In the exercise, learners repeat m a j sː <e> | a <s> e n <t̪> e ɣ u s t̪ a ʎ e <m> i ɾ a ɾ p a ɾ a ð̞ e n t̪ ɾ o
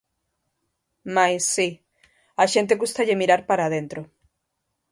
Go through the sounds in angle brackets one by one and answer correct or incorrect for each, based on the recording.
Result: incorrect, incorrect, correct, correct

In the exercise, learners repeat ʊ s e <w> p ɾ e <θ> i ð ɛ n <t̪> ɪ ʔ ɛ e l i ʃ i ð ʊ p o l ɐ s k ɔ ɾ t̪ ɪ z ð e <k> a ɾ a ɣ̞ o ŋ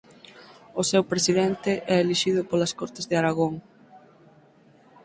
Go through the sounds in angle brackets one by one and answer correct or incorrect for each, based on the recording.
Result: correct, incorrect, correct, incorrect

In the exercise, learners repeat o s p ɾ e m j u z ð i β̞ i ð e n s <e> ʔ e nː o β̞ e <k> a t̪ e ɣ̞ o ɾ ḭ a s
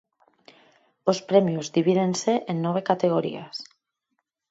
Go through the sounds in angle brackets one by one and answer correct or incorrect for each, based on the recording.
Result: correct, correct

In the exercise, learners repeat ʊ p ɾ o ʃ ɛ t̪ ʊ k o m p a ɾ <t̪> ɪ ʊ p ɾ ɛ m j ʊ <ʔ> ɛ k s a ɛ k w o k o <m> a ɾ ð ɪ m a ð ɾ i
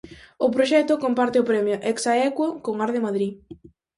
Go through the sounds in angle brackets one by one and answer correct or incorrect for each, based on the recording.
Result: correct, correct, incorrect

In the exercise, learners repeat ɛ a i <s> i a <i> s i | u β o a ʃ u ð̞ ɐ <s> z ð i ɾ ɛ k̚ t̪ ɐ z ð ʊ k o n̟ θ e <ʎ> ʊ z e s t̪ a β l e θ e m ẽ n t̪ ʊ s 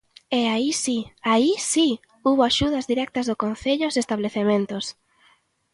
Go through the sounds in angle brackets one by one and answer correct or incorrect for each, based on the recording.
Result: correct, correct, incorrect, correct

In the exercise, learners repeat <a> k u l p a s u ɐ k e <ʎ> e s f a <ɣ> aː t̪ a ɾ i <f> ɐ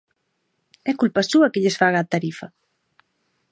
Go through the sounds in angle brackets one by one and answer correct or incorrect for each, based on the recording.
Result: incorrect, correct, correct, correct

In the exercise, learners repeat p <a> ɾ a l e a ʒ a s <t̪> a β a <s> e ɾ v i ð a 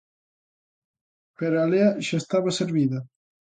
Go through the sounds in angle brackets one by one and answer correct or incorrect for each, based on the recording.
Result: incorrect, correct, correct

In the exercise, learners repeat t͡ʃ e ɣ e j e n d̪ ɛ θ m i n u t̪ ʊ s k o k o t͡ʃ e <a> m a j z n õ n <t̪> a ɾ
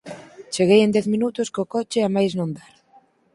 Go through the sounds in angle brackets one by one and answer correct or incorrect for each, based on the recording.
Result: correct, incorrect

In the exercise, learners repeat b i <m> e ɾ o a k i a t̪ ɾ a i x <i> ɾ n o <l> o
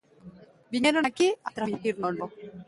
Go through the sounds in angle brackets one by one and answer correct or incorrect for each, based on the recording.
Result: incorrect, correct, correct

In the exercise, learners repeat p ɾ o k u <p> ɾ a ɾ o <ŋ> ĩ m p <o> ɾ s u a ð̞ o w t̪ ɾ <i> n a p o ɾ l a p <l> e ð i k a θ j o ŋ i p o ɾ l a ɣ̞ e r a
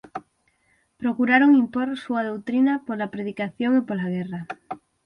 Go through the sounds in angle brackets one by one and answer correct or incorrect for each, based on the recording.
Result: incorrect, correct, correct, correct, incorrect

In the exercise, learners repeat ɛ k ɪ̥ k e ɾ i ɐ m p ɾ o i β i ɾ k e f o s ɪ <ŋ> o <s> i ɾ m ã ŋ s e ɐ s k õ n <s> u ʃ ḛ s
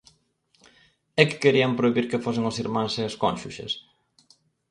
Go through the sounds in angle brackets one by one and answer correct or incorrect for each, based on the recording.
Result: correct, correct, incorrect

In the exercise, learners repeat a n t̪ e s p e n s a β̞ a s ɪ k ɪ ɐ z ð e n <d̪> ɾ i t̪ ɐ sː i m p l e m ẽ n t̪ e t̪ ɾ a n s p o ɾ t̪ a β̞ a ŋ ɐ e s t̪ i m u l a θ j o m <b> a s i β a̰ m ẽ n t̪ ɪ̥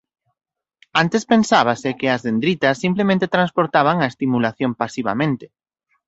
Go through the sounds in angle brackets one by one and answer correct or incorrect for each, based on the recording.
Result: correct, incorrect

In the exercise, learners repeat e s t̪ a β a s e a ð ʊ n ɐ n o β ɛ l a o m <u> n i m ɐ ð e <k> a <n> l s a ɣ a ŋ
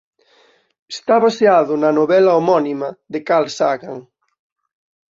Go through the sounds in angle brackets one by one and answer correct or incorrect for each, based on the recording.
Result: incorrect, correct, incorrect

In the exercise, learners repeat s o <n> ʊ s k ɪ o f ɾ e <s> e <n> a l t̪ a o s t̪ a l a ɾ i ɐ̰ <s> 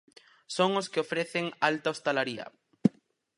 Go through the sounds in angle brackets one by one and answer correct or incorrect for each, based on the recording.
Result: incorrect, incorrect, incorrect, incorrect

